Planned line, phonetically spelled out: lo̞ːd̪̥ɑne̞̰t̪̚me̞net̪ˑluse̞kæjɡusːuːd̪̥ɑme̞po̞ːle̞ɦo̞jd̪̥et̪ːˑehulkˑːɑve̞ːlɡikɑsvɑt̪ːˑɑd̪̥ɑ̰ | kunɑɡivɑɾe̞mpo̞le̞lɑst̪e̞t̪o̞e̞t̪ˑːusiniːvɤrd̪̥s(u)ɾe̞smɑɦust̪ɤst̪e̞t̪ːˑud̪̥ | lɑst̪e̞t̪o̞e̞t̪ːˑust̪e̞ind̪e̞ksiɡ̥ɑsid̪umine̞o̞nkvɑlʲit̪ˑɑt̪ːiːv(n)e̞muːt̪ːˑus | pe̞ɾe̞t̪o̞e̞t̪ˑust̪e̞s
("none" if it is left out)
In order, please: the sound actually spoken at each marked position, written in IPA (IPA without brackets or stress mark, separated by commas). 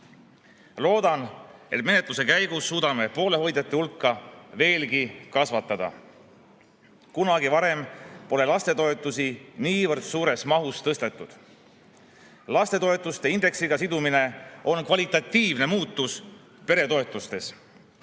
uː, n